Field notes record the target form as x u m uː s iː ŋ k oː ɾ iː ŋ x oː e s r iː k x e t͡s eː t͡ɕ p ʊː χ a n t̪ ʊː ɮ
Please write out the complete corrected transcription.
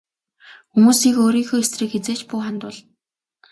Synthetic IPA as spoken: x u m uː s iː k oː ɾ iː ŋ x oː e s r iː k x e t͡s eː t͡ɕ p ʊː χ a n t̪ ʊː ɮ